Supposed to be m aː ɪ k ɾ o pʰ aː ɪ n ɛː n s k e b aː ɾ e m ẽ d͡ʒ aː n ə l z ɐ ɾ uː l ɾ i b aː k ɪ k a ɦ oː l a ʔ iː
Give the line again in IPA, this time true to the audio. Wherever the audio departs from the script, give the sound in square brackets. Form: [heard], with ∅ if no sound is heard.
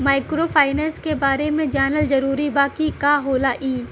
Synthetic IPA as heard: m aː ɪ k ɾ o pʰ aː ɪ n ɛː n s k e b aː ɾ e m ẽ d͡ʒ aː n ə l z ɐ ɾ uː [∅] ɾ i b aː k [i] k a ɦ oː l a ʔ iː